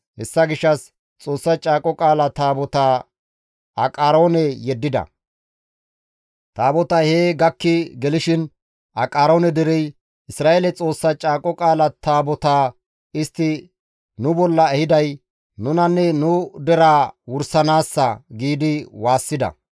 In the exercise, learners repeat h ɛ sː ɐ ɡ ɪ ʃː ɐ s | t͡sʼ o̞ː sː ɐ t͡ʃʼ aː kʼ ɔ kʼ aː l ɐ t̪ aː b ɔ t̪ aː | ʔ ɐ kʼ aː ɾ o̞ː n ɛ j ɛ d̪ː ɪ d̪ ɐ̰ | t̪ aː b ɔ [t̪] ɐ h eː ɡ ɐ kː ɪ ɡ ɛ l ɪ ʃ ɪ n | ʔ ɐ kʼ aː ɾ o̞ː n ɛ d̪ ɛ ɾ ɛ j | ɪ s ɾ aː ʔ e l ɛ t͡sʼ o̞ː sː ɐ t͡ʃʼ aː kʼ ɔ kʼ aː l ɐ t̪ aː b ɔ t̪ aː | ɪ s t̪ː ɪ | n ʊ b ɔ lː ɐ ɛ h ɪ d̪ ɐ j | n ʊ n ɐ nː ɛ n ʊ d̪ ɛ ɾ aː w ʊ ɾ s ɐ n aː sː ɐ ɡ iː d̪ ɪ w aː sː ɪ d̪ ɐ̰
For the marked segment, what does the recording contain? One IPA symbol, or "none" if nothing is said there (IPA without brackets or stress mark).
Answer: t̪